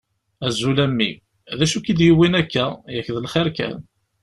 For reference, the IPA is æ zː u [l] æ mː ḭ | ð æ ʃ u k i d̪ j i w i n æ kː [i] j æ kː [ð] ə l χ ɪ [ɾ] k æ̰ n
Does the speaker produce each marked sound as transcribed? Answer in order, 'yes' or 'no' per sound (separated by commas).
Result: yes, no, yes, yes